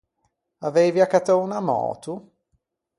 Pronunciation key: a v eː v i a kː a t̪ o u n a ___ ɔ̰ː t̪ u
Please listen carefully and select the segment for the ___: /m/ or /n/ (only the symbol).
m